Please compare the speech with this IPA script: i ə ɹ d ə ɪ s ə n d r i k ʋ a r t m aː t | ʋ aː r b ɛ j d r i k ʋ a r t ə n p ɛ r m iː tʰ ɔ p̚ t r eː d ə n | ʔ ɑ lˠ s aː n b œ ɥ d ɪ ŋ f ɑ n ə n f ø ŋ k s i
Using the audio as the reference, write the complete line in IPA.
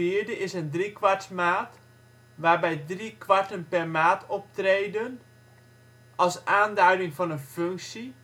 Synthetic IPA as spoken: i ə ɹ d ə ɪ s ə n d r i k ʋ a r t m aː t | ʋ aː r b ɛ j d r i k ʋ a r t ə n p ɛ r m aː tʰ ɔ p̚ t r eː d ə n | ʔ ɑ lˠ s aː n d œ ɥ d ɪ ŋ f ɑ n ə n f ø ŋ k s i